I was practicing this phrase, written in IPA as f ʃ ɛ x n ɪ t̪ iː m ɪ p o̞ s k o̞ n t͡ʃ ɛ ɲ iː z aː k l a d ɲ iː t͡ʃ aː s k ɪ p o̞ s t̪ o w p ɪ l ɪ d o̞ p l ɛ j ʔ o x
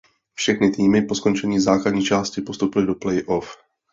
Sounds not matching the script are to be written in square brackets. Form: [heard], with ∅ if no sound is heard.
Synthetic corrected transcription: f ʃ ɛ x n ɪ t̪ iː m ɪ p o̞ s k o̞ n t͡ʃ ɛ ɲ iː z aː k l a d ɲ iː t͡ʃ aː s [c] ɪ p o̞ s t̪ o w p ɪ l ɪ d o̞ p l ɛ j ʔ o [f]